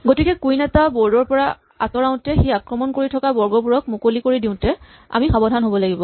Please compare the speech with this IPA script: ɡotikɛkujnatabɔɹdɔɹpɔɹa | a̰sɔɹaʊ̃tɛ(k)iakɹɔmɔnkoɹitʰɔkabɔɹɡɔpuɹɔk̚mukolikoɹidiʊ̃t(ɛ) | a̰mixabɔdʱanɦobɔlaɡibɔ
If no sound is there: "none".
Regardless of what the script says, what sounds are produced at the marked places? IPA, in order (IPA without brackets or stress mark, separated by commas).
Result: x, ɛ